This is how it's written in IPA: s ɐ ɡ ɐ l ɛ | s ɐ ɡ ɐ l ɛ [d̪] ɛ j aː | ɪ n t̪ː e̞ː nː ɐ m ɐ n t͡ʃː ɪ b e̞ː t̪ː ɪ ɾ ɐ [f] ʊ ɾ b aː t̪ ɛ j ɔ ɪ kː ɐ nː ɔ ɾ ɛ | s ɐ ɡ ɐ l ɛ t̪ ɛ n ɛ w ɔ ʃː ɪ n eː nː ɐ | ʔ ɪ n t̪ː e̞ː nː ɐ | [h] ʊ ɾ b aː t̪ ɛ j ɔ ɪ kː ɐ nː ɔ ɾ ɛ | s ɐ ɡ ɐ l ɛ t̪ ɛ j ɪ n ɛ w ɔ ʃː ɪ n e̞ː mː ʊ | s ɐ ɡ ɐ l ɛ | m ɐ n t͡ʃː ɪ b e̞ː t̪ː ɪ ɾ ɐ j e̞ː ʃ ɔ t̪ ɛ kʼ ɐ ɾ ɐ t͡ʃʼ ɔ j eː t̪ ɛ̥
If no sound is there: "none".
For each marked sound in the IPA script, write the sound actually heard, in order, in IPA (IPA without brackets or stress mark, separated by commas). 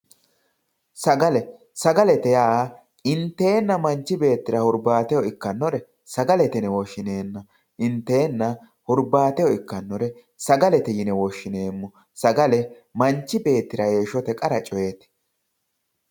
t̪, h, h